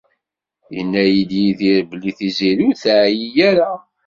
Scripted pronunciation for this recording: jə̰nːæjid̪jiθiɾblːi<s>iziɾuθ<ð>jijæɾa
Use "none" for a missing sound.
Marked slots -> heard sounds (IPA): θ, ʕ

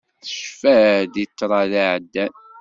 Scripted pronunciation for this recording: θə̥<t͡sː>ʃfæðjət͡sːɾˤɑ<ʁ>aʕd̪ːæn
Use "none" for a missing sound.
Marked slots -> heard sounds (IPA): none, ð

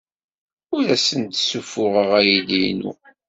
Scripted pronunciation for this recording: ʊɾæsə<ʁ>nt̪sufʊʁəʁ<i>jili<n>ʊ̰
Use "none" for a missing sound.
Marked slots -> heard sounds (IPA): none, æ, n

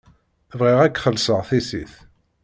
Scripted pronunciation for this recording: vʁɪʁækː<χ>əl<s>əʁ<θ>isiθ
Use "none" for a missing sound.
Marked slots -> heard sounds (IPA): χ, s, θ

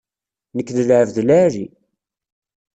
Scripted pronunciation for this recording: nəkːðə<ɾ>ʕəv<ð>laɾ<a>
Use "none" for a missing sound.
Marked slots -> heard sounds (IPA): l, ð, i

